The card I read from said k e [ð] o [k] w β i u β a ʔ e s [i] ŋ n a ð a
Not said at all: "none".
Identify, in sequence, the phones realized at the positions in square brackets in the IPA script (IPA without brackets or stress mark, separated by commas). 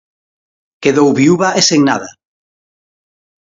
ð, none, e